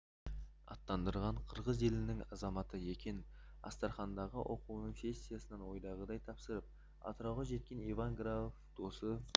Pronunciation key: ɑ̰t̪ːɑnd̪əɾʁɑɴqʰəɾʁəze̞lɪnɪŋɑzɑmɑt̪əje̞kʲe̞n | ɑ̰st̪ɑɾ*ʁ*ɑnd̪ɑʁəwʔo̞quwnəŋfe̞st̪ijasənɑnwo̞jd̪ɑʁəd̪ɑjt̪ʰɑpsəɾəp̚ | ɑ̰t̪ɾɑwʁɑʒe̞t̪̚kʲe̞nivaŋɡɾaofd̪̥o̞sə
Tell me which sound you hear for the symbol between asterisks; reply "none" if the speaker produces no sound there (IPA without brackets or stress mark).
χ